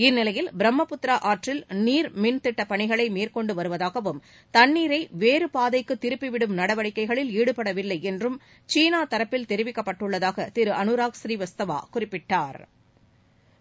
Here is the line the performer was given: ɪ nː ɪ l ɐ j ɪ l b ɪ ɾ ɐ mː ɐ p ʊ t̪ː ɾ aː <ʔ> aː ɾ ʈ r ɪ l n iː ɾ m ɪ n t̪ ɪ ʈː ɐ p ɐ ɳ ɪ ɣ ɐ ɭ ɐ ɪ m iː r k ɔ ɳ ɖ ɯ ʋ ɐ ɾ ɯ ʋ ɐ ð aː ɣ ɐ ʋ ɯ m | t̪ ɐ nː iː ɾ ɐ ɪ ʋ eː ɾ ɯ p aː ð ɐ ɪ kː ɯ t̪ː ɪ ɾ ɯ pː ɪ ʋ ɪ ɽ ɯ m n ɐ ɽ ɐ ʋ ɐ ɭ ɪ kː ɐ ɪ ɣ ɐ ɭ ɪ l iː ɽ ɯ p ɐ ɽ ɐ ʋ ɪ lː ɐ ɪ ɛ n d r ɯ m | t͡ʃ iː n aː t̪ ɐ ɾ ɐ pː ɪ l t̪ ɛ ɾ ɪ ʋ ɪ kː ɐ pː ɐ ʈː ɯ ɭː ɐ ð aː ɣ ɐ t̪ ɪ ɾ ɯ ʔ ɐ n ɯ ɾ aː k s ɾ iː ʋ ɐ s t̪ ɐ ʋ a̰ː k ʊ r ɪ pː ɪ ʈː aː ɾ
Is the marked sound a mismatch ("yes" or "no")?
no